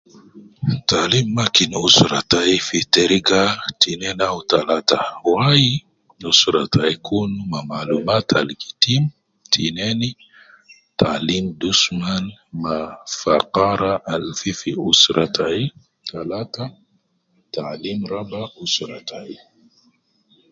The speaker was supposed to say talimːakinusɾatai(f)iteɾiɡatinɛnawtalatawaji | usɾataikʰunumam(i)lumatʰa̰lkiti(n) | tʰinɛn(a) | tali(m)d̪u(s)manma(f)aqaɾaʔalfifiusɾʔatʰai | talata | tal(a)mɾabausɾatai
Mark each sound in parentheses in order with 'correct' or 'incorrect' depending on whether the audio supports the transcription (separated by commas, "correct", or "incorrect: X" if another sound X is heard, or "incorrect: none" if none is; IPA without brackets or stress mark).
correct, incorrect: a, incorrect: m, incorrect: i, correct, correct, correct, incorrect: i